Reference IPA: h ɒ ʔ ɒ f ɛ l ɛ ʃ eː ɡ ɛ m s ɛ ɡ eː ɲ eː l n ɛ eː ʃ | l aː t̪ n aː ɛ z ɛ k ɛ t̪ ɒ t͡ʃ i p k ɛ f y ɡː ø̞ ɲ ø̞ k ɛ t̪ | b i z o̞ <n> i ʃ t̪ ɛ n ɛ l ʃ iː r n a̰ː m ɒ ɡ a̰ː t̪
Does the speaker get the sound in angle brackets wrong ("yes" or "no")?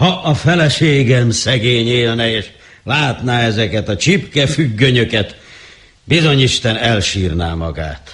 yes